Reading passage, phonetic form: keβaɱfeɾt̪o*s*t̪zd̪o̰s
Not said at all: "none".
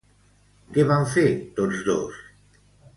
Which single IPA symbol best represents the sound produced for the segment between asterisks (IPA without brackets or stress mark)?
none